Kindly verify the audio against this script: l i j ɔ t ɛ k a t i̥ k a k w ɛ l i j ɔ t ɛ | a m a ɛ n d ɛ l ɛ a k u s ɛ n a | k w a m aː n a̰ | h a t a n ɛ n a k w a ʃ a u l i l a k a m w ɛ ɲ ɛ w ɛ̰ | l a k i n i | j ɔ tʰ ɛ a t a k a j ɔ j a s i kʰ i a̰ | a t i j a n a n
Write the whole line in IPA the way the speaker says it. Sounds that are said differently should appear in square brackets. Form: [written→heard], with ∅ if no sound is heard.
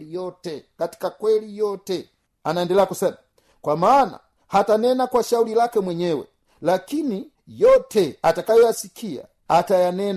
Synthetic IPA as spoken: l i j ɔ t ɛ k a t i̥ k a k w ɛ l i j ɔ t ɛ | a [m→n] a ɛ n d ɛ l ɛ a k u s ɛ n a | k w a m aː n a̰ | h a t a n ɛ n a k w a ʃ a u l i l a k [a→ɛ] m w ɛ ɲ ɛ w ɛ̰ | l a k i n i | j ɔ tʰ ɛ a t a k a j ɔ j a s i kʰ i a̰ | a t [i→a] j a n [a→ɛ] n